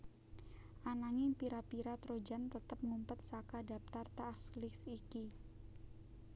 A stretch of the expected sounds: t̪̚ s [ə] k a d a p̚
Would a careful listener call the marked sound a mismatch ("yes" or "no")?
yes